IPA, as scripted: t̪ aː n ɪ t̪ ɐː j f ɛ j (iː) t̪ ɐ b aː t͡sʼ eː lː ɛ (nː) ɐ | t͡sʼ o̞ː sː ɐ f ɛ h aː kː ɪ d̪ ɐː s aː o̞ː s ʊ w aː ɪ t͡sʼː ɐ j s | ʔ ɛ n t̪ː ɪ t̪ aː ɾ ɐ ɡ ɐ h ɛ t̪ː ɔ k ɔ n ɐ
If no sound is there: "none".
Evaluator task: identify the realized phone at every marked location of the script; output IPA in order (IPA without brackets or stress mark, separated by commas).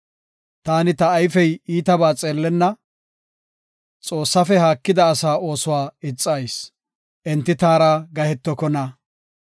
iː, nː